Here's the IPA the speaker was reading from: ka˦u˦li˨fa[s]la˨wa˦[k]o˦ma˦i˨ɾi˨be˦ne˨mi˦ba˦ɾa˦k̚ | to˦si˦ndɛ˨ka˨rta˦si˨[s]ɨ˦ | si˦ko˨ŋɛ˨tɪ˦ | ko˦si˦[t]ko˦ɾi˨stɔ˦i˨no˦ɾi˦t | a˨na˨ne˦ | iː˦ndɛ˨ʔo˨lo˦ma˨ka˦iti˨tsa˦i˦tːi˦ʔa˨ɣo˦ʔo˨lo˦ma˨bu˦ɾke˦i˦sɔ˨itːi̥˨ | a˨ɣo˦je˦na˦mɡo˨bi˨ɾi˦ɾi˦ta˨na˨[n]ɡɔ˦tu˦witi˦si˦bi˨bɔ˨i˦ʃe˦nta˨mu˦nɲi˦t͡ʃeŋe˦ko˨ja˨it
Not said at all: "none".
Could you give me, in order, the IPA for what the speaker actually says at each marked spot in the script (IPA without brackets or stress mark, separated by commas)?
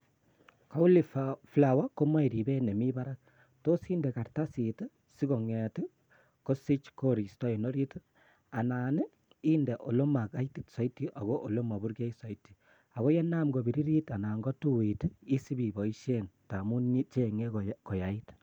f, k, t, t͡ʃ, ŋ